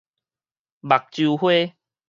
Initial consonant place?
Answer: labial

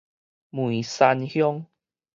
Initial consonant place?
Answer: labial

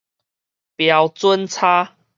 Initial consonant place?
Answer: labial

